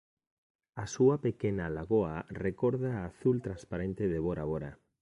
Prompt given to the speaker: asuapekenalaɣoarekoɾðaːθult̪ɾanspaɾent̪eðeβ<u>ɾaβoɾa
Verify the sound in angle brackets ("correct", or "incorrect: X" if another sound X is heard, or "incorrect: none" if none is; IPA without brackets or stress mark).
incorrect: o